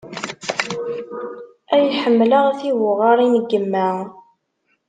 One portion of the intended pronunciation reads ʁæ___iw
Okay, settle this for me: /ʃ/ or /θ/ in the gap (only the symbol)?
θ